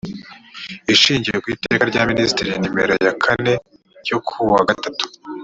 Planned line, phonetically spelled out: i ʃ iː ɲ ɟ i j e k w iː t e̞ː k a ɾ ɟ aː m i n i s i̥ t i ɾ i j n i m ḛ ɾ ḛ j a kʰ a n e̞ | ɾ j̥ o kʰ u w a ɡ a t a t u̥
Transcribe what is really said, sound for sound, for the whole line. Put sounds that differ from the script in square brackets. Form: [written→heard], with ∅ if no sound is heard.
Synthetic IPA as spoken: i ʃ iː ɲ ɟ i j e k w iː t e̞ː k a ɾ ɟ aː m i n i s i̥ t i ɾ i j n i m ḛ ɾ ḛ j a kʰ a n e̞ | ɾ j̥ o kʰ u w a ɡ a t a t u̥